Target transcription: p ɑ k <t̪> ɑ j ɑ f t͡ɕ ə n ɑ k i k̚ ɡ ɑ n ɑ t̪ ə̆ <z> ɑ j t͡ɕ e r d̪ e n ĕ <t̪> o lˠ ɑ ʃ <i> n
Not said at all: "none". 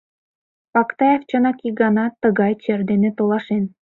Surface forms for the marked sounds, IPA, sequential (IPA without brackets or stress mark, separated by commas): t̪, ɣ, t̪, e